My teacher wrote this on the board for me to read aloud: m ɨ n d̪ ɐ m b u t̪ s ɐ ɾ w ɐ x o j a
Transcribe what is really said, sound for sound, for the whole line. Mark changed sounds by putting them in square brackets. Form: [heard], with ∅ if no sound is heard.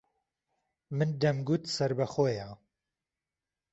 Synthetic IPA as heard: m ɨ n d̪ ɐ m [ɡ] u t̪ s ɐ ɾ [b] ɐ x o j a

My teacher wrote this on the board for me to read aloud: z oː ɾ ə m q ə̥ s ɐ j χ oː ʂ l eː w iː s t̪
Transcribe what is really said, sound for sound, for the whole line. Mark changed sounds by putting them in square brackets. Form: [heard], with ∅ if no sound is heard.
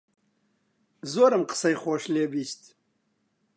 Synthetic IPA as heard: z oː ɾ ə m q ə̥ s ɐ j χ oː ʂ l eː [b] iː s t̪

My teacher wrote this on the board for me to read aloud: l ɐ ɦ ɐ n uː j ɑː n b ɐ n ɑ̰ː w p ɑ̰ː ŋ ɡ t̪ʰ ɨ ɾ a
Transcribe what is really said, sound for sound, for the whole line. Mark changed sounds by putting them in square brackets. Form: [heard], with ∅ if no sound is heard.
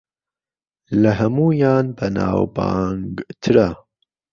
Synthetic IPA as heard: l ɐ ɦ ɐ [m] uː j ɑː n b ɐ n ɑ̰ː w [b] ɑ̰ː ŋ ɡ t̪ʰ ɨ ɾ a

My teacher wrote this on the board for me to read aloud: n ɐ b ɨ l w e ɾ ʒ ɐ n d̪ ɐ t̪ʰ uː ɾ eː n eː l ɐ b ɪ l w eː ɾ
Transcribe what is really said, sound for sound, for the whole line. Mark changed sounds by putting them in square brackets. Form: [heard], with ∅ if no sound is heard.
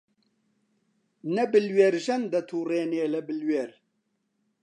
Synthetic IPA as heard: n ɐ b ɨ l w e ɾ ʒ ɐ n d̪ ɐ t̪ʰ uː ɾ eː n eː l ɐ b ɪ l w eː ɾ

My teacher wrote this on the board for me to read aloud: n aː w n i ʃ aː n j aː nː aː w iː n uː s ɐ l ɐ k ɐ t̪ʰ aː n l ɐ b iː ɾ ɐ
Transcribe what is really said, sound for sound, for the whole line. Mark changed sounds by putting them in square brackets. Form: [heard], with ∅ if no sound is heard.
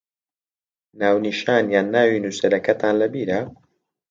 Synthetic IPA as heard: n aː w n i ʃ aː n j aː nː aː w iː n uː s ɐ [ɾ] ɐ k ɐ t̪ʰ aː n l ɐ b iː ɾ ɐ

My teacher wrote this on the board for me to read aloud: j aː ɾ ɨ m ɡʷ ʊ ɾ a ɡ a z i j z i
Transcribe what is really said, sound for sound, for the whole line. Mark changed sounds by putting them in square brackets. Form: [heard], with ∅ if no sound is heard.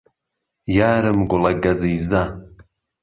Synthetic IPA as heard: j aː ɾ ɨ m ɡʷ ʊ [l] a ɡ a z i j z [a]

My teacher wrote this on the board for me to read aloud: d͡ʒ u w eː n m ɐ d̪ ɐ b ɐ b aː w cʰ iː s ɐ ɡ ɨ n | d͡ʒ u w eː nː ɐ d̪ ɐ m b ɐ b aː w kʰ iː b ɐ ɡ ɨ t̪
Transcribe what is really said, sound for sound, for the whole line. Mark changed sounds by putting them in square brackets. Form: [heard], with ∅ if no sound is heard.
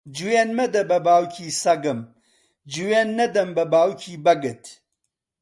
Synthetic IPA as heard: d͡ʒ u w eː n m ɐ d̪ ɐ b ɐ b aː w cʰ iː s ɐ ɡ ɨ [m] | d͡ʒ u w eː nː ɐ d̪ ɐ m b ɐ b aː w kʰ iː b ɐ ɡ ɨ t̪

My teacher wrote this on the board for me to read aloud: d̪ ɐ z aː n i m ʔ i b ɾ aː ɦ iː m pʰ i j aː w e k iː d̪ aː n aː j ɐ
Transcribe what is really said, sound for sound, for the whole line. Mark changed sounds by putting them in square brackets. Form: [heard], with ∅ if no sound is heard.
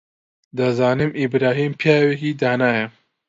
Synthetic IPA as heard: d̪ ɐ z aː n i m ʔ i b ɾ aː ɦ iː m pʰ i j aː w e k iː d̪ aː n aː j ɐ

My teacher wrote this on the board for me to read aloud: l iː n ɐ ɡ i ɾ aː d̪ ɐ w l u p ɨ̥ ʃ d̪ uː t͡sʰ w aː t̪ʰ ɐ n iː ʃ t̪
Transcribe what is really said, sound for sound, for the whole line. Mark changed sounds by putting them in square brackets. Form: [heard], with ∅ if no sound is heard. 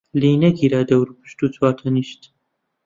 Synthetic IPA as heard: l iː n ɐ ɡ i ɾ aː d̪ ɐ w [ɾ] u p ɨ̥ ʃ [t̪] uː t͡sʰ w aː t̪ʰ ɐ n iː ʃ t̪

